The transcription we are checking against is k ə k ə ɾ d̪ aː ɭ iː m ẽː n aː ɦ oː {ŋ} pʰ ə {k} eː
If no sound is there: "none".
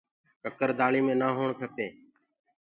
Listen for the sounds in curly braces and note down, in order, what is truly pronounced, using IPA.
ɳ, p

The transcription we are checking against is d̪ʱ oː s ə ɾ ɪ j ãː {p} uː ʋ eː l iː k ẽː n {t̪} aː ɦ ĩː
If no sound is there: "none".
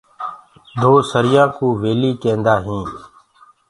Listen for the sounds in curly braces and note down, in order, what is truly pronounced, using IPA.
k, d̪

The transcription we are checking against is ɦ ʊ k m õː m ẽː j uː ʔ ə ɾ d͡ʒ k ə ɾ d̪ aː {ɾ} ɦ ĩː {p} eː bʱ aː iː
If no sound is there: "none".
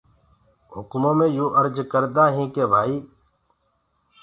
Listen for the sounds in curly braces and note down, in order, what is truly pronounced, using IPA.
none, k

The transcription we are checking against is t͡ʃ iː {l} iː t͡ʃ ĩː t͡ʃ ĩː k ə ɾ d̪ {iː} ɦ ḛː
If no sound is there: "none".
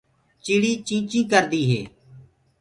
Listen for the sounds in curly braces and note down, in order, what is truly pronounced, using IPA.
ɽ, iː

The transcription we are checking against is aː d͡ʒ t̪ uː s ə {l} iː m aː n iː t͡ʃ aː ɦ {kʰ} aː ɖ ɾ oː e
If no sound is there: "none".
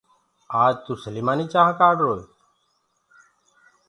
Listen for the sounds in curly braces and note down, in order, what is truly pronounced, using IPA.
l, k

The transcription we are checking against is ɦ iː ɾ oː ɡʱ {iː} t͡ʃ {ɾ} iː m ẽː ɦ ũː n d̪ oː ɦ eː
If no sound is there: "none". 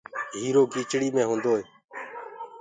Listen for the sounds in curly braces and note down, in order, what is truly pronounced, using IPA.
iː, ɽ

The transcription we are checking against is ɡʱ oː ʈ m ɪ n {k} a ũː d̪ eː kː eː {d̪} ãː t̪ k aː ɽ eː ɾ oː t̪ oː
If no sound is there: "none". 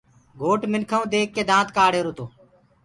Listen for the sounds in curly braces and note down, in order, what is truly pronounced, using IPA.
kʰ, d̪

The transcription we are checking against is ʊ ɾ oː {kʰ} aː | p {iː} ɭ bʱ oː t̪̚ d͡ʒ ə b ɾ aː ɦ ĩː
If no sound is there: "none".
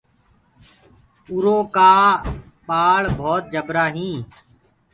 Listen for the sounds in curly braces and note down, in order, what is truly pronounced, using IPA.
k, aː

